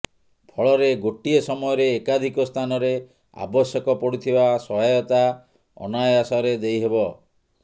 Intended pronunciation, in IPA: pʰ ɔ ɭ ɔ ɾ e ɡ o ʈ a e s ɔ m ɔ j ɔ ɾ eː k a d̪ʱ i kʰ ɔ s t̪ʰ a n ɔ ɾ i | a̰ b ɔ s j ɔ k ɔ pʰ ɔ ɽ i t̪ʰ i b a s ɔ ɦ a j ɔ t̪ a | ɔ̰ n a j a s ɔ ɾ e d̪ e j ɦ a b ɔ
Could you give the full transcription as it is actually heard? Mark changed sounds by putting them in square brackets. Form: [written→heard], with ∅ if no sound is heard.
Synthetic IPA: pʰ ɔ ɭ ɔ ɾ e ɡ o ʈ [a→i] e s ɔ m ɔ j ɔ ɾ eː k a d̪ʱ i [kʰ→k] ɔ s t̪ʰ a n ɔ ɾ [i→e] | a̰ b ɔ s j ɔ k ɔ [pʰ→p] ɔ ɽ i t̪ʰ i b a s ɔ ɦ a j ɔ t̪ a | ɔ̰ n a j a s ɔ ɾ e d̪ e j ɦ [a→e] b ɔ